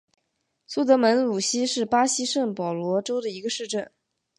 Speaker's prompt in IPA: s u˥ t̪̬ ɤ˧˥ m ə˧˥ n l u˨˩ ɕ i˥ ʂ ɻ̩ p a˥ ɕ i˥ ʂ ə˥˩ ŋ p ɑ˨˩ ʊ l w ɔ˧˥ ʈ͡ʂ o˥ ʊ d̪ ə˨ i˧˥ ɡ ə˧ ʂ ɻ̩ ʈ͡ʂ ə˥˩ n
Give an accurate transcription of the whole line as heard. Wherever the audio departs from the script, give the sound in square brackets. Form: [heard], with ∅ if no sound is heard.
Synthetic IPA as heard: s u˥ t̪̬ ɤ˧˥ m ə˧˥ n l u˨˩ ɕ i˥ ʂ ɻ̩ p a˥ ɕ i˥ ʂ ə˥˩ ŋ p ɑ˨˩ ʊ l w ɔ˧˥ ʈ͡ʂ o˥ ʊ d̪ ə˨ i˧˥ ɡ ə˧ ʂ ɻ̩ ʈ͡ʂ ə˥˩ n